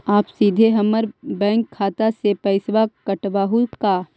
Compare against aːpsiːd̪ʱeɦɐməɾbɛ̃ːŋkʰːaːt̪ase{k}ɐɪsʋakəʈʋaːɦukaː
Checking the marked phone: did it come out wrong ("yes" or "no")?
yes